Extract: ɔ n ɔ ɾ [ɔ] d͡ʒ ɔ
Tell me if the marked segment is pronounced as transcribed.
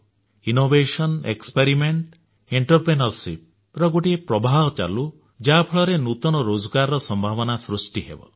no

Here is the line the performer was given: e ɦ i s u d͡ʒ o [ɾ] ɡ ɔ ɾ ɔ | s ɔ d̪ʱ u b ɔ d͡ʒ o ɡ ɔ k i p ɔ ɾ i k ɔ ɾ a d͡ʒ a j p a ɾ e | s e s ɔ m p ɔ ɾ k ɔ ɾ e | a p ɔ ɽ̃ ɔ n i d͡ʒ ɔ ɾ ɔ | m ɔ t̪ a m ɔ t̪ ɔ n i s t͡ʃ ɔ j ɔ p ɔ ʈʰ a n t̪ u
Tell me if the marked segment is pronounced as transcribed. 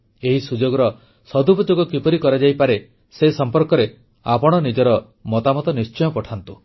no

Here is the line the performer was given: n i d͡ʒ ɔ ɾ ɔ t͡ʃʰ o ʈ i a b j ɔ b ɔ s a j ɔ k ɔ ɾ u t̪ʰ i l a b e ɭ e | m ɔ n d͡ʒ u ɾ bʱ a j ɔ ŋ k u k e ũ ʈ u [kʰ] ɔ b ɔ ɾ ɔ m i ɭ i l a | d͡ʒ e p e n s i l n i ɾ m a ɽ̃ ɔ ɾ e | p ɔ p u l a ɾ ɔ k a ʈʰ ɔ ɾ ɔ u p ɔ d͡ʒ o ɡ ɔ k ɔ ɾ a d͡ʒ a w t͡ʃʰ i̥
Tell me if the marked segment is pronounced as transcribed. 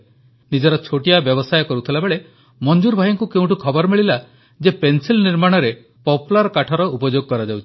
yes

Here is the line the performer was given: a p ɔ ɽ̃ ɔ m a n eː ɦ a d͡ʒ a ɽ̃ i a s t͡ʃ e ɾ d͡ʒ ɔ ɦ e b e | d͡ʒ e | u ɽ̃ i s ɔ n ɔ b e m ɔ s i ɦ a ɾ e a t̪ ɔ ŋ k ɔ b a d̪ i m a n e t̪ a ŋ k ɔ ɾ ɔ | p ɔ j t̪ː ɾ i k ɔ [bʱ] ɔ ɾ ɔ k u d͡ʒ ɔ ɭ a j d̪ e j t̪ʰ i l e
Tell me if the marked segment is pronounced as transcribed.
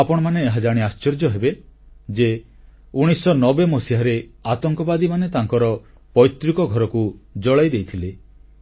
no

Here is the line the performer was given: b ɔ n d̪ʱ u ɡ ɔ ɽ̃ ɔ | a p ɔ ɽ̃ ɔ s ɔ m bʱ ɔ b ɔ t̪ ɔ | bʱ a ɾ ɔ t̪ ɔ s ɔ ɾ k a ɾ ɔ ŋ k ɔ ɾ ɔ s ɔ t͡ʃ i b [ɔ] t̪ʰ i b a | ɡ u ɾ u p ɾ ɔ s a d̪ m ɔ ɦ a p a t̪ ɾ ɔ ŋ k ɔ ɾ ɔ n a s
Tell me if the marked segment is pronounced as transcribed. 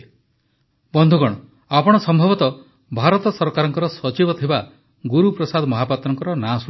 yes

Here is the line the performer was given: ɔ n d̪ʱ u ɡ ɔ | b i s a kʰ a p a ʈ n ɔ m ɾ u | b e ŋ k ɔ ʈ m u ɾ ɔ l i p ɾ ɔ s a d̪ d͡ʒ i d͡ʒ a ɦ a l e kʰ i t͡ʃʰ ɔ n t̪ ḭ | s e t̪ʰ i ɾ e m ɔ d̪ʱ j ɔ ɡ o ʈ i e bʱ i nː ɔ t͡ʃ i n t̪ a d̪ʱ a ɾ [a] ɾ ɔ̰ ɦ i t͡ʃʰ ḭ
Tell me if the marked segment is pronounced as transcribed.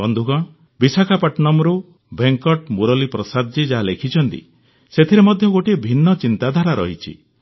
yes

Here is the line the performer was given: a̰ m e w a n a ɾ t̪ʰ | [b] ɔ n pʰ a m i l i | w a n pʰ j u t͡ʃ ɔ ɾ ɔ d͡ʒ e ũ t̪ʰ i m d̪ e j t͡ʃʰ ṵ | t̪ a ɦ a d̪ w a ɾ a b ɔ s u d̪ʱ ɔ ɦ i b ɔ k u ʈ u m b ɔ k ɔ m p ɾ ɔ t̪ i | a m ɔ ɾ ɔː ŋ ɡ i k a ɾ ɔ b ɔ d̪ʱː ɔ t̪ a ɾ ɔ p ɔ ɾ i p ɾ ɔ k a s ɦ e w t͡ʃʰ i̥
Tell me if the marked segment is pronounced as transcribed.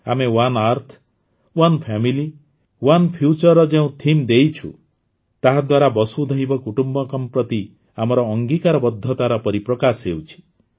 no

